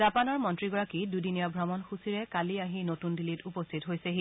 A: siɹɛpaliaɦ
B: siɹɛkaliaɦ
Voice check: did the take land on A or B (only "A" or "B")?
B